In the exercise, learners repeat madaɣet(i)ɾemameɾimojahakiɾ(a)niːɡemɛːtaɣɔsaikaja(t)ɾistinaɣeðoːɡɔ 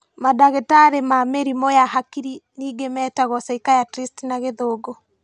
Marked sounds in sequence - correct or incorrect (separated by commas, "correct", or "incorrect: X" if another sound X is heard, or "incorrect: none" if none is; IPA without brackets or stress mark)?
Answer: incorrect: a, incorrect: i, correct